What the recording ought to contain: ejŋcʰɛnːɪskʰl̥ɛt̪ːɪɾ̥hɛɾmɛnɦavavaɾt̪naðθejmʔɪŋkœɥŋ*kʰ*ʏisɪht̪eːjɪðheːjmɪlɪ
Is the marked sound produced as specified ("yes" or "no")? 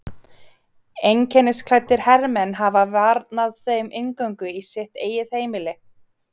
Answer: no